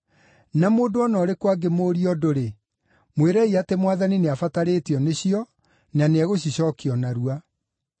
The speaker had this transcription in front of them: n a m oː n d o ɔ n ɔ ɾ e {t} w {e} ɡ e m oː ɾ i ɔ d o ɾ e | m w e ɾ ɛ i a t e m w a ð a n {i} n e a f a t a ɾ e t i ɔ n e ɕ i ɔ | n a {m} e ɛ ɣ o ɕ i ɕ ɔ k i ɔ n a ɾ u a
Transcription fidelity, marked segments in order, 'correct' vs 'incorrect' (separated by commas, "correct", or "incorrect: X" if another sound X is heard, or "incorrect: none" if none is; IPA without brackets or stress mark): incorrect: k, incorrect: a, correct, incorrect: n